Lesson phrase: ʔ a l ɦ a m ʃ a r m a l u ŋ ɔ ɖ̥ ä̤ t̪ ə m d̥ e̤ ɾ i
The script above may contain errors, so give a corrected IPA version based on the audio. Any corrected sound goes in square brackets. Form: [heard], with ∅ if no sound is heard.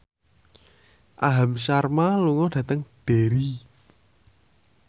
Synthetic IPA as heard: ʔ a [∅] ɦ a m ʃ a r m a l u ŋ ɔ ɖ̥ ä̤ t̪ ə [ŋ] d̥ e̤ ɾ i